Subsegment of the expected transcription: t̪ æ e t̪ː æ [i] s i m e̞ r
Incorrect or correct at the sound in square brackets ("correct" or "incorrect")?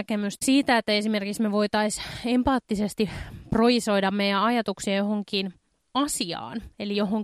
incorrect